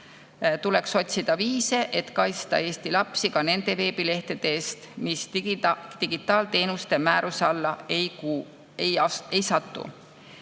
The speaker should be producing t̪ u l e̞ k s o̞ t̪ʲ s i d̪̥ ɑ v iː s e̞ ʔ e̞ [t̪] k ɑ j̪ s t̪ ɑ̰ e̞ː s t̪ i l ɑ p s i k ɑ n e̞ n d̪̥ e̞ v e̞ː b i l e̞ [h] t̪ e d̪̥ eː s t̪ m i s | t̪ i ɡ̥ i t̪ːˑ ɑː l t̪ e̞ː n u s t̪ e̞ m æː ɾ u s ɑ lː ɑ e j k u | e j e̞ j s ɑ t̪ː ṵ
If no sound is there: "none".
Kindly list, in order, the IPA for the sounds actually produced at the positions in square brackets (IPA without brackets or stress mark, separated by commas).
t̪, h